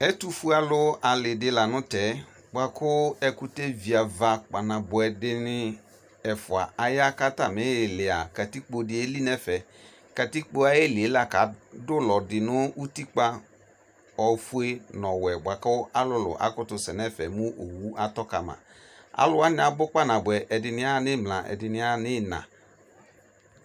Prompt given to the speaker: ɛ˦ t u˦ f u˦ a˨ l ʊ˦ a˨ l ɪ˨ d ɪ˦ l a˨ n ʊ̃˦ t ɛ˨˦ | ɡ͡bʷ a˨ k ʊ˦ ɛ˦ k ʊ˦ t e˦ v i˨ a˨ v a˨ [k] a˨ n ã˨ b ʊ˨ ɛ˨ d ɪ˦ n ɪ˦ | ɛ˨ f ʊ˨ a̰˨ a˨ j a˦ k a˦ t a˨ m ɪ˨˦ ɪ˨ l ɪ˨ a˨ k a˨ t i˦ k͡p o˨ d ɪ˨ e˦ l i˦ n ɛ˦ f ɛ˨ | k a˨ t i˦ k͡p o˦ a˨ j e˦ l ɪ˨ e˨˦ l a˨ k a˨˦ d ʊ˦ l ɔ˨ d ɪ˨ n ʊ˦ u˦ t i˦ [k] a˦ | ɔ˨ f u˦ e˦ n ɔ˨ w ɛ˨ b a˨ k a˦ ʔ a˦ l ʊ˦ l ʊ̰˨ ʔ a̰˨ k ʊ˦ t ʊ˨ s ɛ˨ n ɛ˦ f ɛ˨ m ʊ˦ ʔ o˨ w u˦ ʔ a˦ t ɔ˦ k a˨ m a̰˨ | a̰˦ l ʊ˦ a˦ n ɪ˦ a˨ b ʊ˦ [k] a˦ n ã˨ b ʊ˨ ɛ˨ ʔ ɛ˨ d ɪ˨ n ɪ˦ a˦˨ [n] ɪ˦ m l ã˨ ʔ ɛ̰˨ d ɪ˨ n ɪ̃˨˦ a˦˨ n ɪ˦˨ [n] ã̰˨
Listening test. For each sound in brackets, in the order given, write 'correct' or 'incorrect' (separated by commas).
incorrect, incorrect, incorrect, correct, correct